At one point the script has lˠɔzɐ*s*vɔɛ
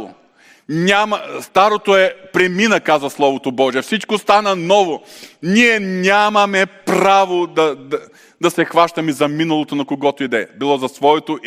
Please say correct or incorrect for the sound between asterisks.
correct